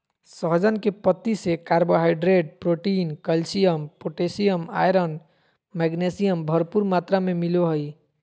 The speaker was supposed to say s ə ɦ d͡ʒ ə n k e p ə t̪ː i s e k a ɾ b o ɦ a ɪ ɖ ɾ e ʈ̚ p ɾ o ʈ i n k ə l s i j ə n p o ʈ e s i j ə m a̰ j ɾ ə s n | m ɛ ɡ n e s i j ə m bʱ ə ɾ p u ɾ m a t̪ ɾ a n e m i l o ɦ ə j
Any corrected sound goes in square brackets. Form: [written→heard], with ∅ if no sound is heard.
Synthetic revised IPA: s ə ɦ d͡ʒ ə n k e p ə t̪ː i s e k a ɾ b o ɦ a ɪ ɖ ɾ e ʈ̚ p ɾ o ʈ i n k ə l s i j ə [n→m] p o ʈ e s i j ə m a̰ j ɾ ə [s→∅] n | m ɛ ɡ n e s i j ə m bʱ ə ɾ p u ɾ m a t̪ ɾ a [n→m] e m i l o ɦ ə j